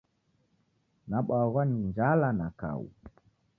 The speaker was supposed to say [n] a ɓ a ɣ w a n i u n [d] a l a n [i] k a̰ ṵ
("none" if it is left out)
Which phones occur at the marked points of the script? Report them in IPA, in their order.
n, d͡ʒ, a

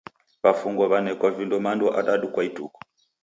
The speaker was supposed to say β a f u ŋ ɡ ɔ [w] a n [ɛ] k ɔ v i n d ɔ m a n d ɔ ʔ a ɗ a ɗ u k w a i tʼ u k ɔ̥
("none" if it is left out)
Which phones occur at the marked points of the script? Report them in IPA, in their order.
β, ɛ

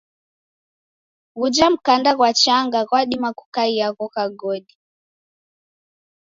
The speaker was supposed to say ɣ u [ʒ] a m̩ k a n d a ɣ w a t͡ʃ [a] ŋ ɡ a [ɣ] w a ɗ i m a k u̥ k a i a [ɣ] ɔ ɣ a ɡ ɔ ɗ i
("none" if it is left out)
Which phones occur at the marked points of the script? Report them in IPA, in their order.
d͡ʒ, a, ɣ, ɣ

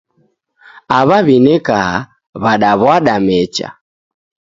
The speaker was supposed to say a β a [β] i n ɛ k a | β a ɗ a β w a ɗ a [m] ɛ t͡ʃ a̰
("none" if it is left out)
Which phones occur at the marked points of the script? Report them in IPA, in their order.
β, m

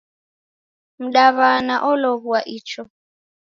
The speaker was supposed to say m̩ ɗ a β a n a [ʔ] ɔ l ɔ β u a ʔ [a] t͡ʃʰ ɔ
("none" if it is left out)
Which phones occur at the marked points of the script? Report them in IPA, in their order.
ʔ, i

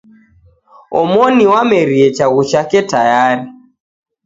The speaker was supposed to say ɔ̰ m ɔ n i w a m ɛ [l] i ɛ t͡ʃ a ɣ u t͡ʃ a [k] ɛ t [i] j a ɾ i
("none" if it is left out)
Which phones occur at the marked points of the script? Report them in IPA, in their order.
ɾ, k, a

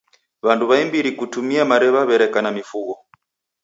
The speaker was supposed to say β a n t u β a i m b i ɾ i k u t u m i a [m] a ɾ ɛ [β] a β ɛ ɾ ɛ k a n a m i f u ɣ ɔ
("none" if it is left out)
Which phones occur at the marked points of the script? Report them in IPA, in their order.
m, β

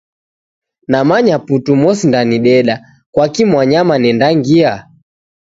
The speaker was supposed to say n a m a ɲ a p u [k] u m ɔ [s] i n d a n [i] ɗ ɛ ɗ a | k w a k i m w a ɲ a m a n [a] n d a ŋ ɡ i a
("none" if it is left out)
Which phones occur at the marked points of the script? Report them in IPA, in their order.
t, s, i, ɛ

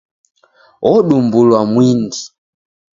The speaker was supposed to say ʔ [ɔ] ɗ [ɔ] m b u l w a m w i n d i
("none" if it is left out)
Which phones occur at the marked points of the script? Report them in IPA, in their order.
ɔ, u

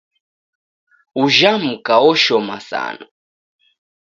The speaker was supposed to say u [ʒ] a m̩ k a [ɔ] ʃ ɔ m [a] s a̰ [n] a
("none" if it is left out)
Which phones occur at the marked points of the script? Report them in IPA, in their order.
ʒ, ɔ, a, n

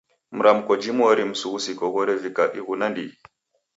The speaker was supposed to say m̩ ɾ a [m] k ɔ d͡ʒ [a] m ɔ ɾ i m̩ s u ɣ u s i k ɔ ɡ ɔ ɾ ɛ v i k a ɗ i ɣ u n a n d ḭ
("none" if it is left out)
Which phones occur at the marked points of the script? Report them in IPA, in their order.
m, i

